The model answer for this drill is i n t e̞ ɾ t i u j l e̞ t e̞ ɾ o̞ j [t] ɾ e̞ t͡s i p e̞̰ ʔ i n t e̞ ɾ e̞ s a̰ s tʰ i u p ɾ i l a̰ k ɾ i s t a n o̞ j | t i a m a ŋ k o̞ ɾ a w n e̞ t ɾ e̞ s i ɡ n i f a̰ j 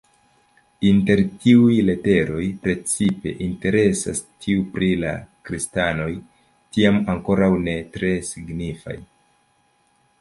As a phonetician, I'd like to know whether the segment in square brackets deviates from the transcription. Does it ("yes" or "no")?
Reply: yes